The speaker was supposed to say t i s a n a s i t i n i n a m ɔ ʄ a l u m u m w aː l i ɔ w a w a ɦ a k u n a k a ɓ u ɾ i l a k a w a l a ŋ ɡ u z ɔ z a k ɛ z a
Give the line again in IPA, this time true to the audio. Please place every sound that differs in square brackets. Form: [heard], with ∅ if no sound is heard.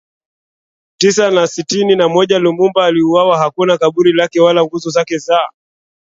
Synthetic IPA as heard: t i s a n a s i t i n i n a m ɔ ʄ a l u m u m [b] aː l i [u] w a w a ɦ a k u n a k a ɓ u ɾ i l a k [ɛ] w a l a ŋ ɡ u z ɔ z a k ɛ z a